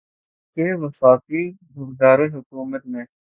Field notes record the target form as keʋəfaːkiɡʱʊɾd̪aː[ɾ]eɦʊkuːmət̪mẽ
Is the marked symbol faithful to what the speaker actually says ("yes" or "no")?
yes